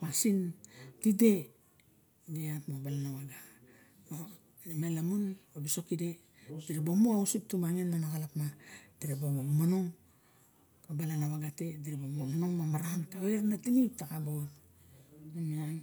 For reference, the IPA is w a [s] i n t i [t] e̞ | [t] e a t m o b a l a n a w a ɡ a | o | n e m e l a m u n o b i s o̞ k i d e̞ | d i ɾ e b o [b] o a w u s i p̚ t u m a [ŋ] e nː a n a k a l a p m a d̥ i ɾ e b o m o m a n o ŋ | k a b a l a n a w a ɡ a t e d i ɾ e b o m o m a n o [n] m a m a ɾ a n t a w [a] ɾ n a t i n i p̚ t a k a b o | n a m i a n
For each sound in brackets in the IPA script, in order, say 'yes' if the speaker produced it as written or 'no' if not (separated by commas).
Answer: yes, no, no, no, yes, no, no